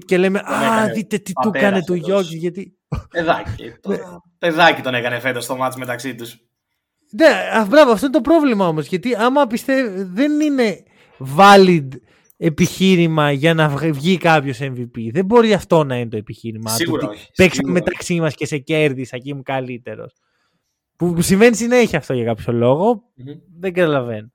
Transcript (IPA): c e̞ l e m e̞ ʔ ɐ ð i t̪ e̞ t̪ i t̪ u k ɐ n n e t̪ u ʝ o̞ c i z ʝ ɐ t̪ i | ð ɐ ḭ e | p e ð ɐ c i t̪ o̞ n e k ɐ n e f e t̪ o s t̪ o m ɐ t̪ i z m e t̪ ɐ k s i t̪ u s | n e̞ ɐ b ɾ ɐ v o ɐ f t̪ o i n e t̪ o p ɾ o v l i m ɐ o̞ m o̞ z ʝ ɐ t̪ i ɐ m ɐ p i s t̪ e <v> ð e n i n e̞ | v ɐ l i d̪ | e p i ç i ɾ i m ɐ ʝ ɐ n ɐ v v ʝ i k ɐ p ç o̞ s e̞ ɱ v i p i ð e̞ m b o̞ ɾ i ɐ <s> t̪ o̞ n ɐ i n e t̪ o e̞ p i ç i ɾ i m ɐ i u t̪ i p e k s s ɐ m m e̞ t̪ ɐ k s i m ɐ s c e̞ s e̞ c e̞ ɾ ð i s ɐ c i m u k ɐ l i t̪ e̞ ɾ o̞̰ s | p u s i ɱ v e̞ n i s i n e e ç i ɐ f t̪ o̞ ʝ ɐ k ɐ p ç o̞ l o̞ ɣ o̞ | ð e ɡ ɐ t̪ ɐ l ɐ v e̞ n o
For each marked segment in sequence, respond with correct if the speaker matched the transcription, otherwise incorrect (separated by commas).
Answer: correct, incorrect